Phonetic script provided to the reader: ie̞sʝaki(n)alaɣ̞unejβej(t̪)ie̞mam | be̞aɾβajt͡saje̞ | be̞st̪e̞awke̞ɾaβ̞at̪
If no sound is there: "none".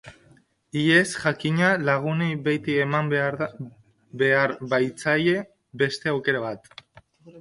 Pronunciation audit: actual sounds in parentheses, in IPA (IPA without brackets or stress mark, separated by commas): ɲ, t̪